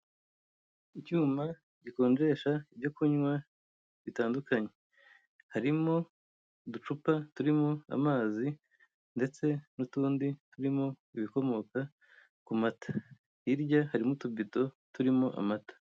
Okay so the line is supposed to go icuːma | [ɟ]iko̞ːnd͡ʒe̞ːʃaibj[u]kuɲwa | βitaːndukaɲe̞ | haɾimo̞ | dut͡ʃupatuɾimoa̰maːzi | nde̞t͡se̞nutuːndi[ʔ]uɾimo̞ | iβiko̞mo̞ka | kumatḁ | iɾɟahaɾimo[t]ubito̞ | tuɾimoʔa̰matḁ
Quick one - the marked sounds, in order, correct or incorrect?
correct, incorrect: o, incorrect: t, correct

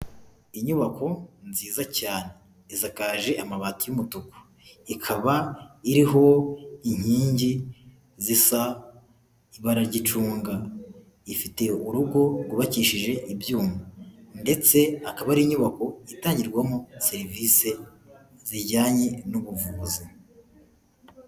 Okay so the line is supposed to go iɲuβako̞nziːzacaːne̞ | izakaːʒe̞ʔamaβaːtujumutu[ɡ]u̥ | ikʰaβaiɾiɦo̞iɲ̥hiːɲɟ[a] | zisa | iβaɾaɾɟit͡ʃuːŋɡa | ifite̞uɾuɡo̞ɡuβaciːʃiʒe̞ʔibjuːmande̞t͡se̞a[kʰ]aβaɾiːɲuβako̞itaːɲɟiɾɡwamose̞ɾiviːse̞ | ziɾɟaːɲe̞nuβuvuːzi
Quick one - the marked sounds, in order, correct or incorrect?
incorrect: k, incorrect: i, incorrect: k

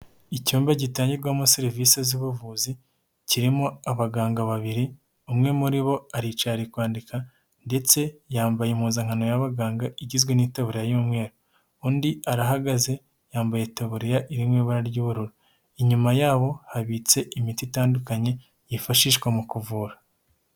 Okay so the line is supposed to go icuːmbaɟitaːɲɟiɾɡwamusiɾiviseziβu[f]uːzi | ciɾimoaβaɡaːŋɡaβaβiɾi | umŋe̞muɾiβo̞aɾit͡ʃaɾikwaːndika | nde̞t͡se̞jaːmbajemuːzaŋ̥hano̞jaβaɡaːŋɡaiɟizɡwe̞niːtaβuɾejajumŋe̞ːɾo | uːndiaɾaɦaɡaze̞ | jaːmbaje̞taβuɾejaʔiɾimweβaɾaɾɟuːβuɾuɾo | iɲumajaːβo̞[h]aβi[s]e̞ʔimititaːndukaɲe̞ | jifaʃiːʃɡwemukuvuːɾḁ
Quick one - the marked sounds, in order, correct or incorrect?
incorrect: v, correct, incorrect: t͡s

